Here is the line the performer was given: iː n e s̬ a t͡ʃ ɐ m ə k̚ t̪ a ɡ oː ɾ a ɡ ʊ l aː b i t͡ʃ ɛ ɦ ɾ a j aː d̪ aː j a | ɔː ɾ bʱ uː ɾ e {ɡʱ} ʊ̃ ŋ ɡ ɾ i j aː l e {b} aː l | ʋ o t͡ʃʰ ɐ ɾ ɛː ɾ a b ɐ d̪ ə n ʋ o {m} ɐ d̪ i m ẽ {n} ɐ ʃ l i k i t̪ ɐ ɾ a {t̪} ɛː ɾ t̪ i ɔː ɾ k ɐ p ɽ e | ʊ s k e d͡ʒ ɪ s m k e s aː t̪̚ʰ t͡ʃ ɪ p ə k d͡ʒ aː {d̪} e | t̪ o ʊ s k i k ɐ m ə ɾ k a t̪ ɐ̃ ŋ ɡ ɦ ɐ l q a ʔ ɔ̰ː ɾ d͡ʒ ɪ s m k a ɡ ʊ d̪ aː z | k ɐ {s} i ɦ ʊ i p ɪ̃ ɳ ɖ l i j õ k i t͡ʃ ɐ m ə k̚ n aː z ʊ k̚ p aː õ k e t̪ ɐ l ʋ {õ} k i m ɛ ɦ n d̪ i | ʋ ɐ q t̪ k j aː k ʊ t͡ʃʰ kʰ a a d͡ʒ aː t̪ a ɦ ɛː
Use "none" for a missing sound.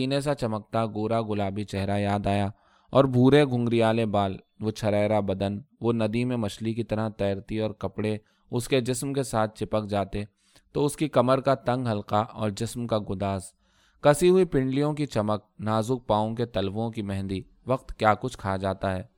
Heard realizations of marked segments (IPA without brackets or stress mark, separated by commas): ɡʱ, b, n, m, t̪, t̪, s, õ